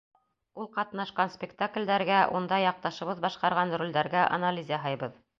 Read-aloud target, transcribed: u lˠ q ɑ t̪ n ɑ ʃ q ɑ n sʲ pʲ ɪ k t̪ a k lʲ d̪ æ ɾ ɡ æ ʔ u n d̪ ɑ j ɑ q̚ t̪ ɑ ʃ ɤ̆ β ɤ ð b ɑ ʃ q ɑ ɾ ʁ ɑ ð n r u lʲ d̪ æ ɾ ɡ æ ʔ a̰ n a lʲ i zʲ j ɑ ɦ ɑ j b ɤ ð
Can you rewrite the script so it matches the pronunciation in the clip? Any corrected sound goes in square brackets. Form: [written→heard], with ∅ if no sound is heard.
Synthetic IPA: u lˠ q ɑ t̪ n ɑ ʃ q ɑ n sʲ pʲ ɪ k t̪ a k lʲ d̪ æ ɾ ɡ æ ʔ u n d̪ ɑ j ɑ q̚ t̪ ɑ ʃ ɤ̆ β ɤ ð b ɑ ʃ q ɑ ɾ ʁ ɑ [ð→∅] n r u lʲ d̪ æ ɾ ɡ æ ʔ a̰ n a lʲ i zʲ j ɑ ɦ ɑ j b ɤ ð